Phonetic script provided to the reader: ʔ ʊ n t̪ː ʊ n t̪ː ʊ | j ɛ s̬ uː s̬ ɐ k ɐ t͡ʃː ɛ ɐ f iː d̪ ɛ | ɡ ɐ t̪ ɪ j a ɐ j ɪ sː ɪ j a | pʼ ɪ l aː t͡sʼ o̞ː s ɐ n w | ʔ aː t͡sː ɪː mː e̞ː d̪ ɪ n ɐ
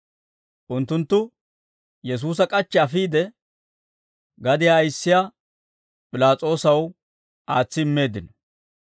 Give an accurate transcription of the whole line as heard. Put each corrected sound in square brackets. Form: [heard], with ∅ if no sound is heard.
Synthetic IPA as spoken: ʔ ʊ n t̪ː ʊ n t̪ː ʊ | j ɛ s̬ uː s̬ ɐ [kʼ] ɐ t͡ʃː ɛ ɐ f iː d̪ ɛ | ɡ ɐ [d̪] ɪ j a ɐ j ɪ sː ɪ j a | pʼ ɪ l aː t͡sʼ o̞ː s ɐ [∅] w | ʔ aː t͡sː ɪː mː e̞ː d̪ ɪ n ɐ